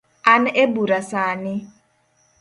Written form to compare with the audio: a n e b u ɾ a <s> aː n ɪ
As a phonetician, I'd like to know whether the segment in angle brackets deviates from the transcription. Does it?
no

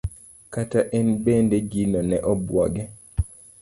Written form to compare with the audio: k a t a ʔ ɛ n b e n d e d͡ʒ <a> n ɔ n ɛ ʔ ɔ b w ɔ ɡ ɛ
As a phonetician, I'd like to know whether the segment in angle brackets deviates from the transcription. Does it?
yes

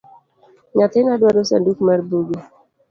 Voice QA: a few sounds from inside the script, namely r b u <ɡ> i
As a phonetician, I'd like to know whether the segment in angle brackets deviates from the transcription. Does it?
no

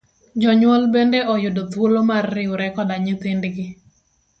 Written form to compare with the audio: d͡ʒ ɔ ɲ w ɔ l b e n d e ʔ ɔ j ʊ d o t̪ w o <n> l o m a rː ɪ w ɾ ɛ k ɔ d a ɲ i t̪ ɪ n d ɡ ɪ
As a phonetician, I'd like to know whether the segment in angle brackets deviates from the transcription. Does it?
yes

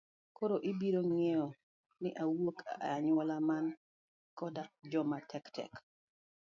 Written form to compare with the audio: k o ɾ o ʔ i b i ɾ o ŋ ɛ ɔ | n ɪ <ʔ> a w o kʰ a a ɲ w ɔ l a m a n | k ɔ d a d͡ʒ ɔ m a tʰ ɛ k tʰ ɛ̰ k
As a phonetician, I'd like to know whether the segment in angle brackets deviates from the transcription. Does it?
no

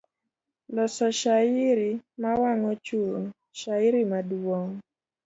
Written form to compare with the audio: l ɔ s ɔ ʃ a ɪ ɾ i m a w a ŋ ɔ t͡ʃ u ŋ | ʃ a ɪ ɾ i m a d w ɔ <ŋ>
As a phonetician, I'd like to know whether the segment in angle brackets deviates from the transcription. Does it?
no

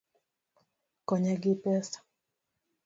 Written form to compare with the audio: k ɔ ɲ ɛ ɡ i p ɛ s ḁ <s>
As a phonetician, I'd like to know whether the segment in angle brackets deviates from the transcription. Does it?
yes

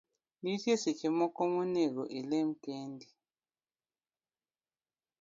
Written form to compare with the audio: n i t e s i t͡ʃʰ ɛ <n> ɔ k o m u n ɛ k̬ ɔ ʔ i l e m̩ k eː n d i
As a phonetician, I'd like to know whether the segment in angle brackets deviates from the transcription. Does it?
yes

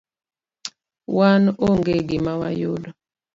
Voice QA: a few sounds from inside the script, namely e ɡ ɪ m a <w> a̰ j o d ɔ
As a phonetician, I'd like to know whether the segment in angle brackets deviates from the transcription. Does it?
no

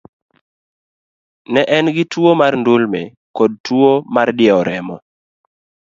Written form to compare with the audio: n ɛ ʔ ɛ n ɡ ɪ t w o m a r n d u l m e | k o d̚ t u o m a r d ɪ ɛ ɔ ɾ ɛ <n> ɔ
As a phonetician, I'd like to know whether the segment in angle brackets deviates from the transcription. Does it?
yes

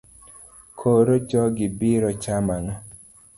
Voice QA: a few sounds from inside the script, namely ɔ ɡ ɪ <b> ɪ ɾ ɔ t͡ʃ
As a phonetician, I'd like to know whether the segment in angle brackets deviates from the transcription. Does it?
no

